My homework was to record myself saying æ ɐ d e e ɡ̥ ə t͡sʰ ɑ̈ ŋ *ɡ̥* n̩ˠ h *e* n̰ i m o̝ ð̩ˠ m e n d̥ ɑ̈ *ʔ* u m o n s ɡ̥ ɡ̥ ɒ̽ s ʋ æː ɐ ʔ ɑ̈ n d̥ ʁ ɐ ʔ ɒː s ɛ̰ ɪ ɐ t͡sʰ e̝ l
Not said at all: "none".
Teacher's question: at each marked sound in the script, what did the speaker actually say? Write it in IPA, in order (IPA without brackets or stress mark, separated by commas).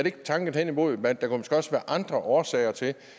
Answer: ɡ̥, e, k